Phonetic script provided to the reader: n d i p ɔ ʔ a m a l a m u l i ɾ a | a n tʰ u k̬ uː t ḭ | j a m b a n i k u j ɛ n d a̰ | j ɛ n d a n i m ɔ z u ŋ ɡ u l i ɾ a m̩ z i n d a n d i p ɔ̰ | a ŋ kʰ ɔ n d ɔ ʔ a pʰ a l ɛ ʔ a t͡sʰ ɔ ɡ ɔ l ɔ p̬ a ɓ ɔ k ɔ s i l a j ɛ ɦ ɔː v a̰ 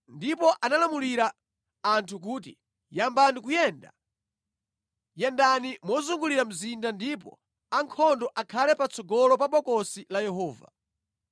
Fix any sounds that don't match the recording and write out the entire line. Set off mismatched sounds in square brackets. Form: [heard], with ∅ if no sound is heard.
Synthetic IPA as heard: n d i p ɔ ʔ a [n] a l a m u l i ɾ a | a n tʰ u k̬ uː t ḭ | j a m b a n i k u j ɛ n d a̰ | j ɛ n d a n i m ɔ z u ŋ ɡ u l i ɾ a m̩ z i n d a n d i p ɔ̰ | a ŋ kʰ ɔ n d ɔ ʔ a [kʰ] a l ɛ [p] a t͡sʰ ɔ ɡ ɔ l ɔ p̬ a ɓ ɔ k ɔ s i l a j ɛ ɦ ɔː v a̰